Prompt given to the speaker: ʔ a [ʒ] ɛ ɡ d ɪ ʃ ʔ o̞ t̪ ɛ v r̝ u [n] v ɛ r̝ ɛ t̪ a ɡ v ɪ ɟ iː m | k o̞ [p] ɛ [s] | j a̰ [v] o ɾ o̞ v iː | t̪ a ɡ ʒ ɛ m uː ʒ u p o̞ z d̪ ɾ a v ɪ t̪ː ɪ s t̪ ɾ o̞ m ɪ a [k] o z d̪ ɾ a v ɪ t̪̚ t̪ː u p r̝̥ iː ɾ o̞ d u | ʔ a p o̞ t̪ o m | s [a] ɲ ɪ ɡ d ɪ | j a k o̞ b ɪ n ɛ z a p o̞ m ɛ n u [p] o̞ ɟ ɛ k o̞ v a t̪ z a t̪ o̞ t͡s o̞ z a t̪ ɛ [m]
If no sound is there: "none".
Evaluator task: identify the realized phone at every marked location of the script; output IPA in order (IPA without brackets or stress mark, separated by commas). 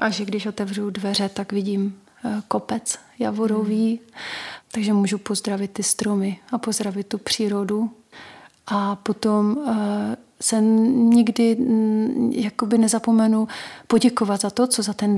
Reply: ʒ, d, p, t͡s, v, p, ɛ, p, n